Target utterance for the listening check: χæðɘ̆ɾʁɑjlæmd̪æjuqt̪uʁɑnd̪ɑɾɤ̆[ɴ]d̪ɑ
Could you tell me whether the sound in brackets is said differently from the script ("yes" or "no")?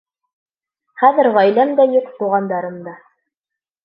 yes